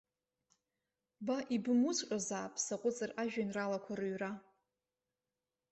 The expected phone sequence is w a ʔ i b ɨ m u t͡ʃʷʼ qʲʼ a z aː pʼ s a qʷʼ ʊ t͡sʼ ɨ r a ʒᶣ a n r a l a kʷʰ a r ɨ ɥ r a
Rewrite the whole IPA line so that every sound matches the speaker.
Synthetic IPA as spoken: b a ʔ i b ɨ m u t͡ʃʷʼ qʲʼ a z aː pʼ s a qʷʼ ʊ t͡sʼ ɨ r a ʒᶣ a n r a l a kʷʰ a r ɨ ɥ r a